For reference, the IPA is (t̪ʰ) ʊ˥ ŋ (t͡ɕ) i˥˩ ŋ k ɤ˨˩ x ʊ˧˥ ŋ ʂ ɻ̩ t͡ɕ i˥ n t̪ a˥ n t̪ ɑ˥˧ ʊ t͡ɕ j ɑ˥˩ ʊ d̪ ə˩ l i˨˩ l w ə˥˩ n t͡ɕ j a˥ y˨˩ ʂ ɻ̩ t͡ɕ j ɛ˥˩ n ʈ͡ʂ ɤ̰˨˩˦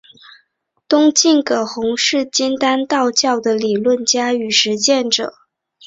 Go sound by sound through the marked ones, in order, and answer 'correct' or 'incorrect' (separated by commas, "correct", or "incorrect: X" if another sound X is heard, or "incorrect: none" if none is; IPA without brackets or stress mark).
incorrect: t̪, correct